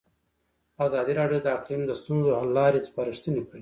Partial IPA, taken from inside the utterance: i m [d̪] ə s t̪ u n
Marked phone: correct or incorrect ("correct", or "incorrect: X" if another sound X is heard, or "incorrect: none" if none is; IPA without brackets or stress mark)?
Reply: correct